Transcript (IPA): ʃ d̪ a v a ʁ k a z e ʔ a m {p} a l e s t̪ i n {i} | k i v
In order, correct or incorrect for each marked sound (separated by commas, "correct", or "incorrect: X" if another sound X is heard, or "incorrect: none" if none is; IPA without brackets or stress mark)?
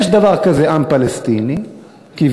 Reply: correct, correct